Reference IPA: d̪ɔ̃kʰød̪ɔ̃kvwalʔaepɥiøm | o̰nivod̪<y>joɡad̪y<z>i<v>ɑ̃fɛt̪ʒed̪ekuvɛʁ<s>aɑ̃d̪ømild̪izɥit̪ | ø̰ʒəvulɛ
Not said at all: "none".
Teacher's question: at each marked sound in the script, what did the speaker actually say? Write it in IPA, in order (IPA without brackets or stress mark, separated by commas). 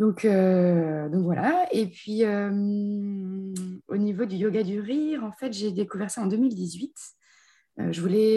y, ʁ, ʁ, s